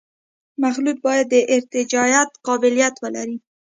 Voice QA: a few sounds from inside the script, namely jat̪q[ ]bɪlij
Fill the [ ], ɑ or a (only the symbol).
ɑ